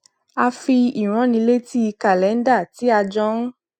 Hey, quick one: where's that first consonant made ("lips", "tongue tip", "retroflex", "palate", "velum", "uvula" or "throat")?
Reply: lips